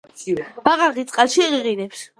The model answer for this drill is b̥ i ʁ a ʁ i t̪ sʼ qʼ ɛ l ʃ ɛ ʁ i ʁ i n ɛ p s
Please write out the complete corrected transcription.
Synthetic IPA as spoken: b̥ a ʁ a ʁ i t̪ sʼ qʼ a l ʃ i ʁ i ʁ i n ɛ p s